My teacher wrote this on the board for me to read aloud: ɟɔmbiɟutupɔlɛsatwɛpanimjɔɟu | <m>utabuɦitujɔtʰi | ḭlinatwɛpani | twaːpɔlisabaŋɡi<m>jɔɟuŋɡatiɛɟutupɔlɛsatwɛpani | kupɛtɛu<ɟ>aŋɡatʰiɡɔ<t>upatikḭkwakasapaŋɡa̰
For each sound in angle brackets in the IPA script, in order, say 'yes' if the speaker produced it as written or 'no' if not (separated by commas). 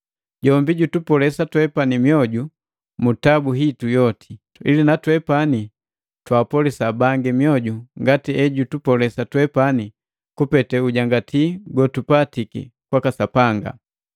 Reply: yes, yes, yes, yes